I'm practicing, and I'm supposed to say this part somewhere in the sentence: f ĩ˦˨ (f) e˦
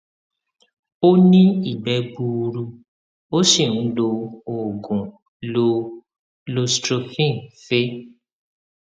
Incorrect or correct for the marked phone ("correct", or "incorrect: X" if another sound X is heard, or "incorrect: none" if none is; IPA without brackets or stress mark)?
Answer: correct